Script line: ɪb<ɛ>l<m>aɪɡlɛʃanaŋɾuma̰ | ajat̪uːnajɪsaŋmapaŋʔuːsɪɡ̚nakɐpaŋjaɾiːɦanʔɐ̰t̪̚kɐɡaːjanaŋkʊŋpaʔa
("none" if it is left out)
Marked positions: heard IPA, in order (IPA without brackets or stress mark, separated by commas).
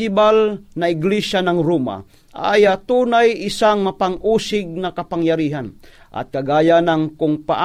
a, n